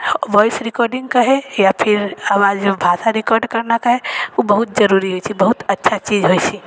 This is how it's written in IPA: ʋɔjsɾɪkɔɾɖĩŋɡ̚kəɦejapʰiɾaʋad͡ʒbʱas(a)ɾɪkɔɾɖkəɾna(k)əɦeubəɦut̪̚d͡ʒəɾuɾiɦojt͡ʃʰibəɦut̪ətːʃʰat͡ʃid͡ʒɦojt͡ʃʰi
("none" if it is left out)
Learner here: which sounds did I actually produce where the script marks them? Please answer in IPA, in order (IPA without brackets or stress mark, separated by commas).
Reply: a, k